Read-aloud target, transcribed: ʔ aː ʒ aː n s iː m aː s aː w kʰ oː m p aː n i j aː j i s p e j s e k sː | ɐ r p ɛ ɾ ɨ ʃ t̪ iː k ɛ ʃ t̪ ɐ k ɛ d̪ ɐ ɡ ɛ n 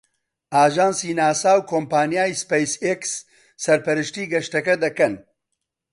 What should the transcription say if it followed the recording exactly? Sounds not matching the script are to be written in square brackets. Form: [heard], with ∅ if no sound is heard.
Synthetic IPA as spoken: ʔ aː ʒ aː n s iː [n] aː s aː w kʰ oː m p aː n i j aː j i s p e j s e k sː | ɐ [ɾ] p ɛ ɾ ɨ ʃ t̪ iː [ɡ] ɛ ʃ t̪ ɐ k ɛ d̪ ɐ [k] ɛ n